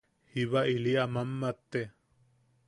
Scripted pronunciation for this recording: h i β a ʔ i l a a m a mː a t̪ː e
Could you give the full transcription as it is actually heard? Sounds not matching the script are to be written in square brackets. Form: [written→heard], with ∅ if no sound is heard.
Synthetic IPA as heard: h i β a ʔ i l [a→i] a m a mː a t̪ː e